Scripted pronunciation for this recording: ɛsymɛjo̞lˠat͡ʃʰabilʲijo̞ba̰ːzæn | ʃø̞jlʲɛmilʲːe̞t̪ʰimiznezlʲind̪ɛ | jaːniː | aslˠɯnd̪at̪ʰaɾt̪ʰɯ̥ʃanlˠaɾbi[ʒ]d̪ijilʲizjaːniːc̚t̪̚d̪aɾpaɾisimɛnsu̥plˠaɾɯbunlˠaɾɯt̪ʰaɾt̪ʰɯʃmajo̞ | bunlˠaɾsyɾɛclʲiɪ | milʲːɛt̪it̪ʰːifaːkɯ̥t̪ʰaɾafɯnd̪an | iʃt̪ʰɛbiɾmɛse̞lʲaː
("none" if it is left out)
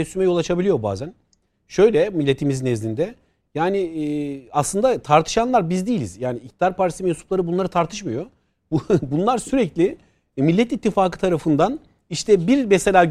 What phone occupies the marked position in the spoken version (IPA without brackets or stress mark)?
z